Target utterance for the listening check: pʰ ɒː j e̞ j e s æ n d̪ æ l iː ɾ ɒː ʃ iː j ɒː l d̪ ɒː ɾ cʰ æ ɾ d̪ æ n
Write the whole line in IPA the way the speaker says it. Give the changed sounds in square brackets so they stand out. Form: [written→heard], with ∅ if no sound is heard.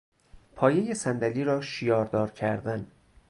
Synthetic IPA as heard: pʰ ɒː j e̞ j e s æ n d̪ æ l iː ɾ ɒː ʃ [iː→i] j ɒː [l→ɾ] d̪ ɒː ɾ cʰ æ ɾ d̪ æ n